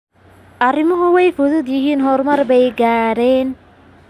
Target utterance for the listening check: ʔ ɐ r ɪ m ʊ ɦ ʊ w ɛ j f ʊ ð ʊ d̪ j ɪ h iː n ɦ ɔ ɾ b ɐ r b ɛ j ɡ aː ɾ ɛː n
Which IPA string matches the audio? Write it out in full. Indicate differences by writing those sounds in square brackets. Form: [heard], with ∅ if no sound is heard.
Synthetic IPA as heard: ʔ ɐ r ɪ m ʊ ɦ ʊ w ɛ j f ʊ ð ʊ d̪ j ɪ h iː n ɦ ɔ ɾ [m] ɐ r b ɛ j ɡ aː ɾ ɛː n